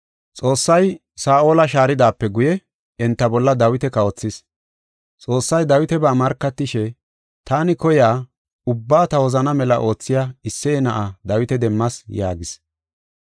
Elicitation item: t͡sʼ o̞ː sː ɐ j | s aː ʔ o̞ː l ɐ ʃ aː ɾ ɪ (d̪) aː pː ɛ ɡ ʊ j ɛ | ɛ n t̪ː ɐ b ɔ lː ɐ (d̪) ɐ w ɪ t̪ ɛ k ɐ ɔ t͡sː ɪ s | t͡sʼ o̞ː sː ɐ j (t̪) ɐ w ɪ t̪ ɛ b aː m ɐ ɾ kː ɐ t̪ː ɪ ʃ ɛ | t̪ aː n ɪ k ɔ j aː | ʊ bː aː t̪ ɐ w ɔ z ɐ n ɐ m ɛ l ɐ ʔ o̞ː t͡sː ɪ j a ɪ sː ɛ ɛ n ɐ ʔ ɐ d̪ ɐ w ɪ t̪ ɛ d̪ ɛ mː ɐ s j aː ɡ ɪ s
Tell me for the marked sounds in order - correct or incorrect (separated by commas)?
correct, correct, incorrect